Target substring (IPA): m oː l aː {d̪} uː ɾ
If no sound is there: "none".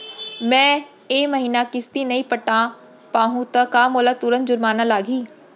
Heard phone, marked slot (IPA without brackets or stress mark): t̪